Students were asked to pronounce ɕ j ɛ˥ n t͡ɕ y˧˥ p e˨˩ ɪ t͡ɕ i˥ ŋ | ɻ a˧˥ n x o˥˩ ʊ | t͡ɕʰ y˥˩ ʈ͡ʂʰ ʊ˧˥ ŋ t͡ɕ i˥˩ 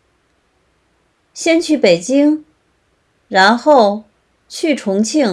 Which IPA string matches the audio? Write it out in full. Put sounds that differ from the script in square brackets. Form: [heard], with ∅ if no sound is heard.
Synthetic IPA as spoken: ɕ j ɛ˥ n [t͡ɕʰ] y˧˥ p e˨˩ ɪ t͡ɕ i˥ ŋ | ɻ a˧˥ n x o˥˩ ʊ | t͡ɕʰ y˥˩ ʈ͡ʂʰ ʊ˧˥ ŋ [t͡ɕʰ] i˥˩